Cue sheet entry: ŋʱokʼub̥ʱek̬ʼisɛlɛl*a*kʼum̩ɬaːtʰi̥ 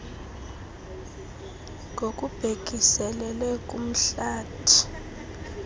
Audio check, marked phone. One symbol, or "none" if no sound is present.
ɛ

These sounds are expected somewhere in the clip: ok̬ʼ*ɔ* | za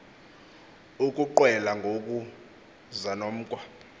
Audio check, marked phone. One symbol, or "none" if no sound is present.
u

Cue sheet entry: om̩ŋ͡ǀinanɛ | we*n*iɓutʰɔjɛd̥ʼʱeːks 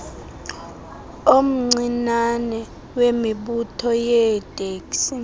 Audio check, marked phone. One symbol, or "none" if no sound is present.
m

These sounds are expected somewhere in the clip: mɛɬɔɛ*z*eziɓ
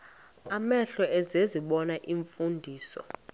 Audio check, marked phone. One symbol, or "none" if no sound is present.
z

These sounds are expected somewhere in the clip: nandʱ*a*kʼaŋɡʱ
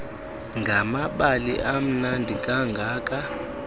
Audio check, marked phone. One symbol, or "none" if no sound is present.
i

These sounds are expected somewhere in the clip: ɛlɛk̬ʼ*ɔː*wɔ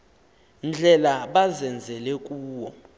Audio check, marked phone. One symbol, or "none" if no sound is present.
uː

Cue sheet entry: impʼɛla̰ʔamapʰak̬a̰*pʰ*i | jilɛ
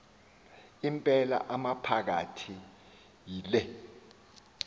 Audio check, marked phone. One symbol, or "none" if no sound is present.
tʰ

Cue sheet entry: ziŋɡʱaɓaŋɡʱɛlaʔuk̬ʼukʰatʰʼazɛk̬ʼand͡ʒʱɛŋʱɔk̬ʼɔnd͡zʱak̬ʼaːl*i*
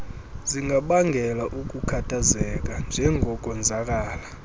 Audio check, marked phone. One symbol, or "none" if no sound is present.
a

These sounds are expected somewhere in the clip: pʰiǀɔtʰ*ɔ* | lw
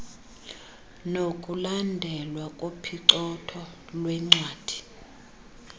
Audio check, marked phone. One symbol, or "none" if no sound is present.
ɔ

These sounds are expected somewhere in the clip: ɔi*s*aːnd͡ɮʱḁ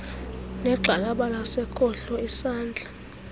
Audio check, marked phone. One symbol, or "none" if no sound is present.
s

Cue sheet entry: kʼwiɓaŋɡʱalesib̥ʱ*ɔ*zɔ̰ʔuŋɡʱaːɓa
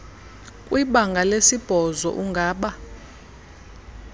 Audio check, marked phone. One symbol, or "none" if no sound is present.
ɔ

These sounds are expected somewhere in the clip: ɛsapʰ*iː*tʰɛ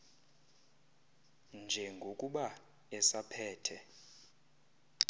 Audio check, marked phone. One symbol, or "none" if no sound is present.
ɛː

